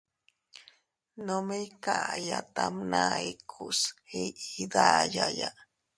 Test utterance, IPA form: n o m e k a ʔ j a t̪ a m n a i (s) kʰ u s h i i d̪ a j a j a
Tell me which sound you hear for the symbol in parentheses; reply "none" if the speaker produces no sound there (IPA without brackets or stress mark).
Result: none